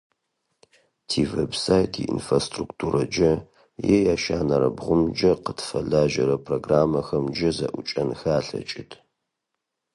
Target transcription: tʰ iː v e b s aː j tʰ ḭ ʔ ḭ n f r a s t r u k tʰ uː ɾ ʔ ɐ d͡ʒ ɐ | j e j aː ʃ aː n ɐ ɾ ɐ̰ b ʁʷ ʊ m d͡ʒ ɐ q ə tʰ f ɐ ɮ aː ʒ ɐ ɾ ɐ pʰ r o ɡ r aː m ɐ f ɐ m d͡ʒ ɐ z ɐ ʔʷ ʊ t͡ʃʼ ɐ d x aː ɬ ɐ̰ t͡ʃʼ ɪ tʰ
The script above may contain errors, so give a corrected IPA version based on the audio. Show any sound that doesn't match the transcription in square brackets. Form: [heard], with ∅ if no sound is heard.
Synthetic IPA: tʰ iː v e b s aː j tʰ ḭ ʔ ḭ n f r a s t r u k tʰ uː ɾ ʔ ɐ d͡ʒ ɐ | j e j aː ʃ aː n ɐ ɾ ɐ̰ b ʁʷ ʊ m d͡ʒ ɐ q ə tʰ f ɐ ɮ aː ʒ ɐ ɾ ɐ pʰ r o ɡ r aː m ɐ [x] ɐ m d͡ʒ ɐ z ɐ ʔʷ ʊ t͡ʃʼ ɐ [n] x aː ɬ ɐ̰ t͡ʃʼ ɪ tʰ

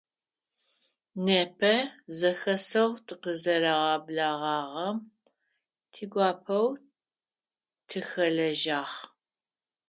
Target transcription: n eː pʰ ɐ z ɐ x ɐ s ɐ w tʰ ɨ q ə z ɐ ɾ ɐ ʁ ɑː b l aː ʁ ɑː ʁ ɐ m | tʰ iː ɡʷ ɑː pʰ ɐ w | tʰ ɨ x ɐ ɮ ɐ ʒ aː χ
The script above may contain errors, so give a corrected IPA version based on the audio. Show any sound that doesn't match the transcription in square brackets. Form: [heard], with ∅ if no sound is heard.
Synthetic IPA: n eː pʰ ɐ z ɐ x ɐ s ɐ w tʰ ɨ q ə z ɐ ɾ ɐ ʁ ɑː b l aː ʁ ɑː ʁ ɐ m | tʰ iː ɡʷ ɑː pʰ ɐ w | tʰ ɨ x ɐ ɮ ɐ ʒ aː χ

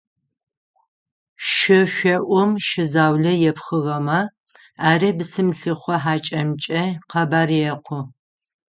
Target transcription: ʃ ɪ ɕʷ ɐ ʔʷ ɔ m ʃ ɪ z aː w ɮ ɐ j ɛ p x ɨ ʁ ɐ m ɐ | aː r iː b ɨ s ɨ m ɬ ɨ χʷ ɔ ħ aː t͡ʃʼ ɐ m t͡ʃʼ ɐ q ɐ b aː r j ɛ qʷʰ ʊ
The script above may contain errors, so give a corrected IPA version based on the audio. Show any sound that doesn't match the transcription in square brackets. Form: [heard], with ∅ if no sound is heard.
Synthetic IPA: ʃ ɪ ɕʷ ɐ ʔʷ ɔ m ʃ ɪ z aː w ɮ ɐ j ɛ p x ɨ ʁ ɐ m ɐ | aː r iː b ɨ s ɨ m ɬ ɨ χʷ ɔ ħ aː t͡ʃʼ ɐ m t͡ʃʼ ɐ q ɐ b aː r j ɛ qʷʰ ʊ

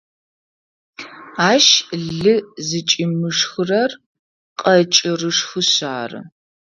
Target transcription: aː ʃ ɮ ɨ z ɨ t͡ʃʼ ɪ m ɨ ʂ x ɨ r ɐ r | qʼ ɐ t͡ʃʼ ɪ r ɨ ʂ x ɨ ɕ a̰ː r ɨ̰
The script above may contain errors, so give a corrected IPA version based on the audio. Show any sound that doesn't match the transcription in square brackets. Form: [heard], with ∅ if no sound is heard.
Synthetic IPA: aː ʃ ɮ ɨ z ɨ t͡ʃʼ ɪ m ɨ ʂ x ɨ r ɐ r | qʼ ɐ t͡ʃʼ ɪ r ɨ ʂ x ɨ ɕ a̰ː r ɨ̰

